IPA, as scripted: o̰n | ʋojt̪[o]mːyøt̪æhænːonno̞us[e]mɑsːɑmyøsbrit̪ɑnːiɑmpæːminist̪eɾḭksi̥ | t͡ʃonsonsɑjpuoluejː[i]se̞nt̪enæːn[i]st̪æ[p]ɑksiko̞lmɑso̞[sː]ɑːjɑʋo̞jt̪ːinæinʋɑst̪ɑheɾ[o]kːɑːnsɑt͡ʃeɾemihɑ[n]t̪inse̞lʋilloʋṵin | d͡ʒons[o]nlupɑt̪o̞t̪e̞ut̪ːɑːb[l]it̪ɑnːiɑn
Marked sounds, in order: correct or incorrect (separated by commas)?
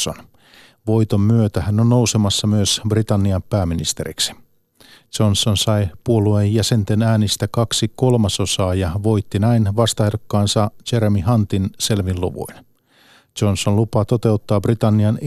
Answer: correct, correct, incorrect, correct, incorrect, incorrect, correct, correct, correct, incorrect